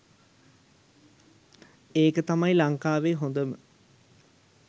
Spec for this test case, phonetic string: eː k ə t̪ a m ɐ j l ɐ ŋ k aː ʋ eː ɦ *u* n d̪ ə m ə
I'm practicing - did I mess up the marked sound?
yes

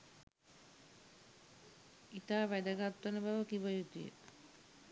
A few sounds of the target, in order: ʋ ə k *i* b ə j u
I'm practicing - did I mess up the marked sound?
no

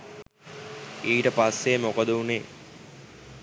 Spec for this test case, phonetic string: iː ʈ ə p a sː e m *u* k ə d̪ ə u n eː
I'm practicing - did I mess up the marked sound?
yes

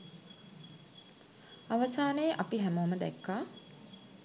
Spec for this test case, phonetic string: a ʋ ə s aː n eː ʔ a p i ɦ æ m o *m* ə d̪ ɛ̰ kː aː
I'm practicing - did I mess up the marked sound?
no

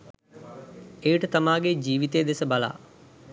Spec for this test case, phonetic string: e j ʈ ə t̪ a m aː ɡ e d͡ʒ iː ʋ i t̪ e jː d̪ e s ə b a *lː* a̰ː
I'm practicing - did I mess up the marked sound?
yes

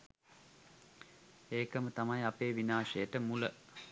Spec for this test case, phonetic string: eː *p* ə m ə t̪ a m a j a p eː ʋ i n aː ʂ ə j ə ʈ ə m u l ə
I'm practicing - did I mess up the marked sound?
yes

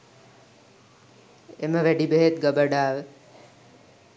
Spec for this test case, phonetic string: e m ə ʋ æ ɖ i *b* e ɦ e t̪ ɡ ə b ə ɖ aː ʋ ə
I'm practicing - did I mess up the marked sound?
no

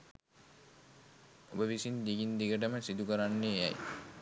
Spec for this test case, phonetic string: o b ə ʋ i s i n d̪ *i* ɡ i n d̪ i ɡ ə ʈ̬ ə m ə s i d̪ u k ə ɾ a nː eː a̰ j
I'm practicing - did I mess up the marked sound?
no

